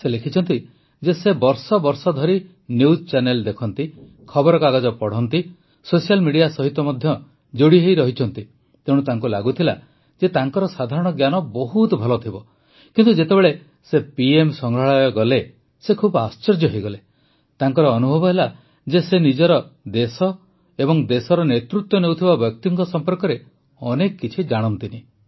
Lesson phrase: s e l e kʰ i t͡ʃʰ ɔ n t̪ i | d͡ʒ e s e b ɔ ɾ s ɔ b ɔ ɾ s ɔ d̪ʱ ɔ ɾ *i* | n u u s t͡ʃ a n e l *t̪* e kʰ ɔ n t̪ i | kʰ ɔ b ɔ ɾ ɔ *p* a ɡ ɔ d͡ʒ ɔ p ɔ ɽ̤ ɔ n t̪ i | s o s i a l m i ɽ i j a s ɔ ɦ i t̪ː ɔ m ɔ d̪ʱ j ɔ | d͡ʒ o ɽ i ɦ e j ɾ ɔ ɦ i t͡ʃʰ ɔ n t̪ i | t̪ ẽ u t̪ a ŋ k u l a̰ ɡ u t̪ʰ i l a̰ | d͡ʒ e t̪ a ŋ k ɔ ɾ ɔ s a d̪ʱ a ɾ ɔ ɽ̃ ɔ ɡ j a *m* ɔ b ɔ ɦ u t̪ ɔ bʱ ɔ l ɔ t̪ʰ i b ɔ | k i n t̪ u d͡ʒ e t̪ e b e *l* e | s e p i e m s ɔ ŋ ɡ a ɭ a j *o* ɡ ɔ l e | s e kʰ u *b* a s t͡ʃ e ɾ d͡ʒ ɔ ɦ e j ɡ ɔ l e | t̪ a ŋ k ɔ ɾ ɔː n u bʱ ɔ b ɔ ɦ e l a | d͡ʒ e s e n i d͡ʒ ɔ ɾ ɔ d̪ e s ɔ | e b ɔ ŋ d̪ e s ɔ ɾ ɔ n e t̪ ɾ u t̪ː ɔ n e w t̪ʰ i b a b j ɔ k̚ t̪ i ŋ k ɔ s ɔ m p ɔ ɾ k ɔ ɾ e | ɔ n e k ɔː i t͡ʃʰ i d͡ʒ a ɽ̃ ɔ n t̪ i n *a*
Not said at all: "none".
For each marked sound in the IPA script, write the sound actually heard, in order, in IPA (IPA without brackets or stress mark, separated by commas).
i, d̪, k, n, ɭ, ɔ, b, i